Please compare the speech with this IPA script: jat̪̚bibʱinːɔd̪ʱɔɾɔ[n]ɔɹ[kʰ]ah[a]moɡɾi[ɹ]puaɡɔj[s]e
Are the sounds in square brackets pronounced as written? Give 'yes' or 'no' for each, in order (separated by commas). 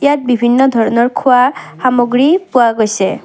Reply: yes, yes, yes, no, yes